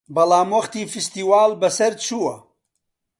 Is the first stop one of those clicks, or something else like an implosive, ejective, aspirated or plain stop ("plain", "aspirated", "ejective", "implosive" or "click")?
plain